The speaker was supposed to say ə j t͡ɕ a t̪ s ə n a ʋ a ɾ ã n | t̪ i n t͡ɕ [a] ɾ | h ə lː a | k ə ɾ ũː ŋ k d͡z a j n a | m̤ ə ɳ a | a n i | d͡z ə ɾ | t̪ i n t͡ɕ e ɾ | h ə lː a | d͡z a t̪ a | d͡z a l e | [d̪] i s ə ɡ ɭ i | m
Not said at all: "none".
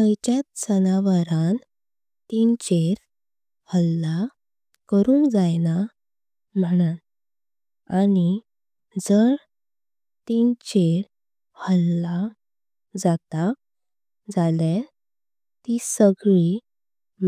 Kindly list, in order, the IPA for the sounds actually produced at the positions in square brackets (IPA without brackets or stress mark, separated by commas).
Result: e, t̪